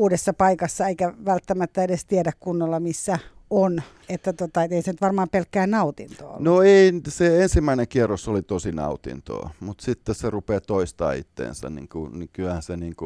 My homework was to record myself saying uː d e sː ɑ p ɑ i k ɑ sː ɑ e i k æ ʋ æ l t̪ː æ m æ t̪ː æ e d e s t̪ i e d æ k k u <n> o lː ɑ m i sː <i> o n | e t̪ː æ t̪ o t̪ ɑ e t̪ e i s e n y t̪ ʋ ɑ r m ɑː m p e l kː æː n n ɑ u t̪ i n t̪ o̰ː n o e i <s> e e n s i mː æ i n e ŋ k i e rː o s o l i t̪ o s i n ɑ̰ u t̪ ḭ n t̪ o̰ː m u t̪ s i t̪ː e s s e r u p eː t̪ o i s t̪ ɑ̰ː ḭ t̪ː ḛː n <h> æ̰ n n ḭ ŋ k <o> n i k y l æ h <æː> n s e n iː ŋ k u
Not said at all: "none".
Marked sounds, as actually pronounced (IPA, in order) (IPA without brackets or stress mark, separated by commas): nː, æ, s, s, u, æ